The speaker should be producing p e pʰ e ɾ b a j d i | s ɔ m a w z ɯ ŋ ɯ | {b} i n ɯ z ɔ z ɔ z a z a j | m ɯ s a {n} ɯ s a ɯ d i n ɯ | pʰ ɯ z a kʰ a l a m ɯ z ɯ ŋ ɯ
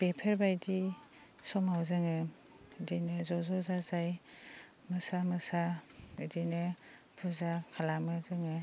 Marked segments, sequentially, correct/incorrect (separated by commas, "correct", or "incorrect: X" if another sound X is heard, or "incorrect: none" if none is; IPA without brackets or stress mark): incorrect: d, incorrect: m